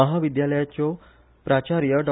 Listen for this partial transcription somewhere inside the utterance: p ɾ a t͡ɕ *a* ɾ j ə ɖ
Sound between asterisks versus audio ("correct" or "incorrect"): correct